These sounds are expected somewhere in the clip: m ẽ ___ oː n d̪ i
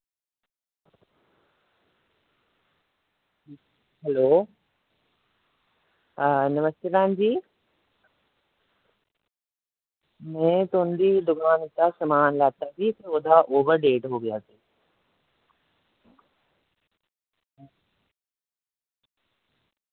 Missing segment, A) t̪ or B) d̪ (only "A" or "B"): A